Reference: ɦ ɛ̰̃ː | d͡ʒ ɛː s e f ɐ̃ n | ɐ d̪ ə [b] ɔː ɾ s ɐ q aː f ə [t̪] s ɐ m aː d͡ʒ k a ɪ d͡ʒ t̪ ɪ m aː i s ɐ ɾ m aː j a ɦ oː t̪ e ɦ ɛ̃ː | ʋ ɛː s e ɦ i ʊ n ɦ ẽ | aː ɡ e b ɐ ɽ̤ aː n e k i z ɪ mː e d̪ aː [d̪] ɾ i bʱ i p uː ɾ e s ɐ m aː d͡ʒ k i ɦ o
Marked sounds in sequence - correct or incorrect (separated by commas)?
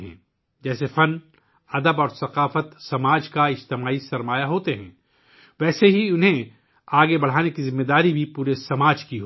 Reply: correct, correct, incorrect